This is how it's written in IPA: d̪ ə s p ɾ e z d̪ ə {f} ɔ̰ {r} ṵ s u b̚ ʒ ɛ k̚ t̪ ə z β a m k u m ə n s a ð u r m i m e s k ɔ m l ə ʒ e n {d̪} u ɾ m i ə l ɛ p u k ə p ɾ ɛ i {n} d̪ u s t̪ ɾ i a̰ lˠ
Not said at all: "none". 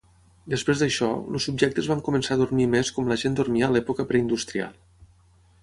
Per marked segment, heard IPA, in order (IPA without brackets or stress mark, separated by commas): ʃ, l, d̪, n